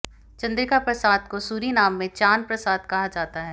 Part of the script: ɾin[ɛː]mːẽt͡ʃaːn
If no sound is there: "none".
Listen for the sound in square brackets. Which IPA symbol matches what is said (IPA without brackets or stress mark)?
aː